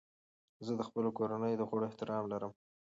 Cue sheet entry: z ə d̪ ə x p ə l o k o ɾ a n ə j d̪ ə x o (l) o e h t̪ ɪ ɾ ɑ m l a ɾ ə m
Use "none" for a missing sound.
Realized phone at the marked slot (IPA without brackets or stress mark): ɽ